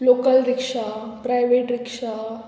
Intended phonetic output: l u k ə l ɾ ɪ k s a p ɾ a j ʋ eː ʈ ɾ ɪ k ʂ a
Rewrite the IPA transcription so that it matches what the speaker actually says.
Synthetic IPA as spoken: l o k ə l ɾ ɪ k ʂ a p ɾ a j ʋ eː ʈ ɾ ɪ k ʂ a